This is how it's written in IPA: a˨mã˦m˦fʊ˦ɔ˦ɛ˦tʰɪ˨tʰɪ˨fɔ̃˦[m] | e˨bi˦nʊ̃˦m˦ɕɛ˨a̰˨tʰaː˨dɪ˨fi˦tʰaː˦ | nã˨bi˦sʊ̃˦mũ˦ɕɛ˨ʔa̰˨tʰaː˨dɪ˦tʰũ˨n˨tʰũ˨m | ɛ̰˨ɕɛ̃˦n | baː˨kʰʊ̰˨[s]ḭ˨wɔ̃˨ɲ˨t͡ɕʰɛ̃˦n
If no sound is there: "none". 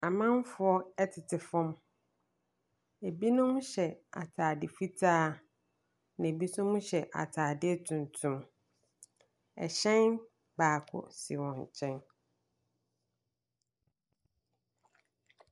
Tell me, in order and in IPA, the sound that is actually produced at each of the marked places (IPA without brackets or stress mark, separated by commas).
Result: m, s